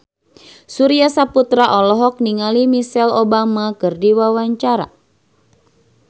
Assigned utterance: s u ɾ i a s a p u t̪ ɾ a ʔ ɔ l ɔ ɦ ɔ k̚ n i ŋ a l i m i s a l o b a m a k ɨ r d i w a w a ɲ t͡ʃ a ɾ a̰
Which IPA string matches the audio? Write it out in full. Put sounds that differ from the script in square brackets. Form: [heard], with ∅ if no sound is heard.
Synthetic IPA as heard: s u ɾ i a s a p u t̪ ɾ a ʔ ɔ l ɔ ɦ ɔ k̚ n i ŋ a l i m i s [ɛ] l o b a m a k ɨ r d i w a w a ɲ t͡ʃ a ɾ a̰